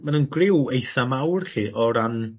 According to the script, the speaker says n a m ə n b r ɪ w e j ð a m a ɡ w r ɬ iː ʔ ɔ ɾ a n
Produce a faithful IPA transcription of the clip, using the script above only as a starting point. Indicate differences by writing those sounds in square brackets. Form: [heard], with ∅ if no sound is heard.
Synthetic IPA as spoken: [m] a [n] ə n [ɡ] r ɪ w e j [θ] a m a [∅] w r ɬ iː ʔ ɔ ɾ a n